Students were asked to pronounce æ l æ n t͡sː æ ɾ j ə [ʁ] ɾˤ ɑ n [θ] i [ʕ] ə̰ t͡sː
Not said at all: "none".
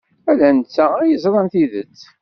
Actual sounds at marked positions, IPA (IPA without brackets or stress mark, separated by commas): z, θ, ð